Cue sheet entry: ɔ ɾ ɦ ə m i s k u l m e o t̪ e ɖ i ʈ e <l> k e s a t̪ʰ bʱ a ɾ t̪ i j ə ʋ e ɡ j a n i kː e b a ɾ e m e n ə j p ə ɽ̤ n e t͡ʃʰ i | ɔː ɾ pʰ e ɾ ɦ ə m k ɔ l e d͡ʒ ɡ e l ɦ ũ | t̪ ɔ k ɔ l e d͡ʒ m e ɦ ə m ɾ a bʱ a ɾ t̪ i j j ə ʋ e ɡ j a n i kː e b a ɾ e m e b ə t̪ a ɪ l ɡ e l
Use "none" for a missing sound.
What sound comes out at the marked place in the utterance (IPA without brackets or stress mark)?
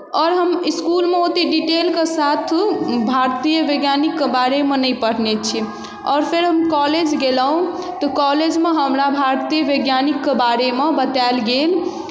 l